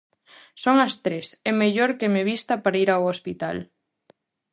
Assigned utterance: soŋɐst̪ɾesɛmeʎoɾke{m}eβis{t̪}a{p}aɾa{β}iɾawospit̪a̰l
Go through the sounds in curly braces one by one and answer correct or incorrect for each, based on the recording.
correct, correct, correct, incorrect: none

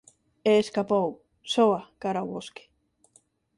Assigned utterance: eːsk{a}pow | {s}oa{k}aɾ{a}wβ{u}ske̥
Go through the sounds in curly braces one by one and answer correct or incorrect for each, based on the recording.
correct, correct, correct, correct, incorrect: o

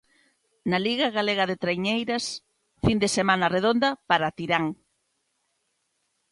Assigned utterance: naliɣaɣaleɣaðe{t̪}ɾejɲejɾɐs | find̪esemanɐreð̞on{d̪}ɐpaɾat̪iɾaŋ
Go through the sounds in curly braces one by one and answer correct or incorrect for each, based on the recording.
correct, correct

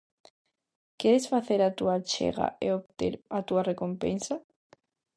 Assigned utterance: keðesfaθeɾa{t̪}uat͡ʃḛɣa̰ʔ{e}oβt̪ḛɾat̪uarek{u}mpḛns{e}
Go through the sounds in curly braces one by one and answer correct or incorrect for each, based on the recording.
correct, correct, incorrect: o, incorrect: a

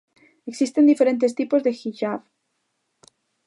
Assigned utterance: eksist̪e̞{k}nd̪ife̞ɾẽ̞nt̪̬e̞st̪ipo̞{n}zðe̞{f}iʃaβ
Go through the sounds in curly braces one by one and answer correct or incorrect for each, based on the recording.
incorrect: none, incorrect: none, incorrect: x

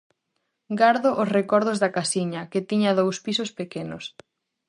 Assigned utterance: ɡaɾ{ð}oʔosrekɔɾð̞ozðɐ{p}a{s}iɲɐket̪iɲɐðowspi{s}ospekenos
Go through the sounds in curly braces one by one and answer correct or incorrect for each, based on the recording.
correct, incorrect: k, correct, correct

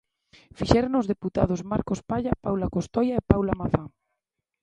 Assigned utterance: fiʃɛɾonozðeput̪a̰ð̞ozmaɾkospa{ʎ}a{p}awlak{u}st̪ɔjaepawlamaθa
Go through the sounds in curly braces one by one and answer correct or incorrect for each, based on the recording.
correct, correct, incorrect: o

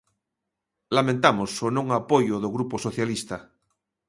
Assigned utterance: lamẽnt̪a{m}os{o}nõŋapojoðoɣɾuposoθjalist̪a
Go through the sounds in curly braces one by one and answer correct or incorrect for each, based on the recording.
correct, correct

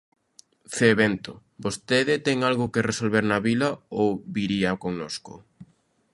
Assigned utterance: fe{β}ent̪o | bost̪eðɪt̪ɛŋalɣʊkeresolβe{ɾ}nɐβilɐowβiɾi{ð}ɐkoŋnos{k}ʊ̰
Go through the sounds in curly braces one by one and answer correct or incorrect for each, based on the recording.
correct, correct, incorrect: none, correct

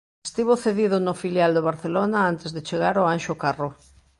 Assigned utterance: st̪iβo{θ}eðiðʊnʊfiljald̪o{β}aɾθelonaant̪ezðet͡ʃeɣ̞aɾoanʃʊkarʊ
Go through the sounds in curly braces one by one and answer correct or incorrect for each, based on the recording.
correct, correct

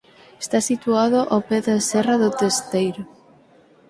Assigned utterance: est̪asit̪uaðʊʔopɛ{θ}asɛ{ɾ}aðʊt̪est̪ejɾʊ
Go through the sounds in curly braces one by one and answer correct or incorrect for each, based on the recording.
incorrect: ð, incorrect: r

